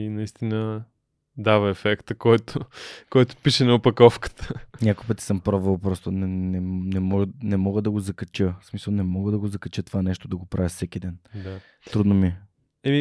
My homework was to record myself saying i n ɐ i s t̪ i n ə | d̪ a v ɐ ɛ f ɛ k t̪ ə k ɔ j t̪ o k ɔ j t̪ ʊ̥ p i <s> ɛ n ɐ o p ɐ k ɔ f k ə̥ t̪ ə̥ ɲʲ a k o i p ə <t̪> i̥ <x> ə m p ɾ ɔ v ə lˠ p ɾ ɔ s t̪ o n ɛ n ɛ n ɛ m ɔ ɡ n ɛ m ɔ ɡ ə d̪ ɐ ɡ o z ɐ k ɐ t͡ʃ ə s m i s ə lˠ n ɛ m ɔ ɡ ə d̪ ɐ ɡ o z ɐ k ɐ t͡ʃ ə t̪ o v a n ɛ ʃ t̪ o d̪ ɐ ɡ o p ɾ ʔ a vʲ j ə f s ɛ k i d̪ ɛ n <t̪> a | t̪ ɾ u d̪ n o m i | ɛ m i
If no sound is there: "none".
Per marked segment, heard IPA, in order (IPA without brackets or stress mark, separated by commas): ʃ, t̪, s, d̪